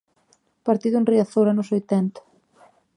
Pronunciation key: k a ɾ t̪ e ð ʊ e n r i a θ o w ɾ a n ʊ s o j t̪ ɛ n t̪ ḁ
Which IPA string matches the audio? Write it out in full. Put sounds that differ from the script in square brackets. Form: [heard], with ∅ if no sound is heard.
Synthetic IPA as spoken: [p] a ɾ t̪ [i] ð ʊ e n r i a θ o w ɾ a n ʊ s o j t̪ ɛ n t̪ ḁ